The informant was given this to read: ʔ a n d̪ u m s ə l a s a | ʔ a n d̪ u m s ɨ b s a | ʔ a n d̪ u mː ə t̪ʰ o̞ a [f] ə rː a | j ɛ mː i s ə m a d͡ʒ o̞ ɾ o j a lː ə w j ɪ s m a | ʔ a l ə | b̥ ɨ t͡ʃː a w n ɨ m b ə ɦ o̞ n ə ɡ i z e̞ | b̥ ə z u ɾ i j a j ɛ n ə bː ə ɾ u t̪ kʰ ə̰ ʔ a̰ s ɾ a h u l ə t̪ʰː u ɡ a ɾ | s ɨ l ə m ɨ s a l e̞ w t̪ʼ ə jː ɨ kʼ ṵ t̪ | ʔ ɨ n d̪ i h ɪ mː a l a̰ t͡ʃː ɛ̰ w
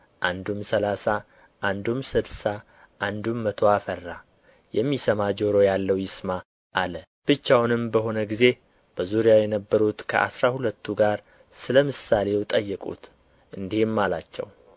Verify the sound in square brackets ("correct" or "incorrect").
correct